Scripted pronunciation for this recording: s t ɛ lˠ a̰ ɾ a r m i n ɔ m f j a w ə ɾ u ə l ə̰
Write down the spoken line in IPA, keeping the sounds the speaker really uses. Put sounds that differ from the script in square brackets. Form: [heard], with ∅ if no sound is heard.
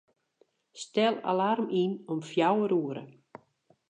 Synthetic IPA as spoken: s t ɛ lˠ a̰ [l] a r m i n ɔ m f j a w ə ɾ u ə [ɾ] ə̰